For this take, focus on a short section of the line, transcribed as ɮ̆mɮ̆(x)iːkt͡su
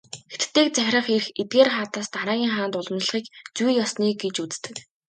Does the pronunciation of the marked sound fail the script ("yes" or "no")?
yes